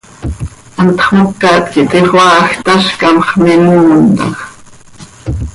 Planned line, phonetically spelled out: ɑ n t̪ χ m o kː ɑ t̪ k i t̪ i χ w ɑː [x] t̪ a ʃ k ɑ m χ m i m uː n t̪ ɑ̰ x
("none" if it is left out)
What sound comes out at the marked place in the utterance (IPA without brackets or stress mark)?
x